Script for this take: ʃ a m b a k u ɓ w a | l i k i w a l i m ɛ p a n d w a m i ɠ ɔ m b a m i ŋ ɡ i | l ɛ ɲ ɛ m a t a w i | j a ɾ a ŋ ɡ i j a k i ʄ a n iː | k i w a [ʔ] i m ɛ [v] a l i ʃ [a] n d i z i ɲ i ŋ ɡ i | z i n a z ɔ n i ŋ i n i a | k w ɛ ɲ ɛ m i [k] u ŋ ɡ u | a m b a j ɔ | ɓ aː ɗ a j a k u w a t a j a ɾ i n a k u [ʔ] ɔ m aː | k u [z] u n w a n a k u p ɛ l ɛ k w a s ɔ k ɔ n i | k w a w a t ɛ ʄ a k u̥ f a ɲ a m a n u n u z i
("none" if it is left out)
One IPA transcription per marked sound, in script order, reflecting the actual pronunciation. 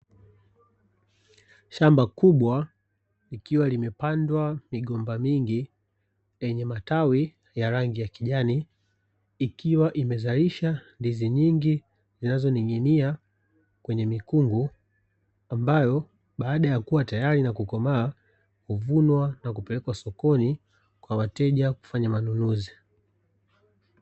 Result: ʔ, z, a, k, k, v

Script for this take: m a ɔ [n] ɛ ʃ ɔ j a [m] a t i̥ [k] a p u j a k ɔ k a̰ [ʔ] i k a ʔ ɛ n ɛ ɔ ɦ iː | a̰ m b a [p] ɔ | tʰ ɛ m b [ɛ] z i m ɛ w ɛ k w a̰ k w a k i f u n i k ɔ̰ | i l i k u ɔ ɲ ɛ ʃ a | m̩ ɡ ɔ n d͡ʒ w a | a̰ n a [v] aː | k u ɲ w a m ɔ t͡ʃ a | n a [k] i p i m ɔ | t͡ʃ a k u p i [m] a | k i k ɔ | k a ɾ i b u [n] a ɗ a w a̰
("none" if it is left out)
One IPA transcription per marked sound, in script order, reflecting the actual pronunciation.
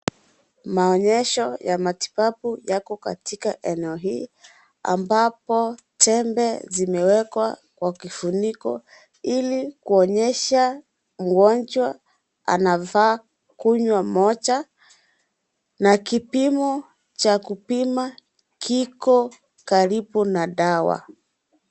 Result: ɲ, m, p, t, p, ɛ, v, k, m, n

